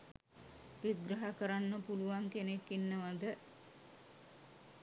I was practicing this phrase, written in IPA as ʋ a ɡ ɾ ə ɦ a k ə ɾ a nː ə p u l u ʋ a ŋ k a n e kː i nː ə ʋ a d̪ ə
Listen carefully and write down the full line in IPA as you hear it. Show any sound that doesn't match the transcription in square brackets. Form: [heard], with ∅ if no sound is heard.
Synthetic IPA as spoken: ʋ [i] ɡ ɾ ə ɦ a k ə ɾ a nː ə p u l u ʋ a ŋ k [e] n e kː i nː ə ʋ a d̪ ə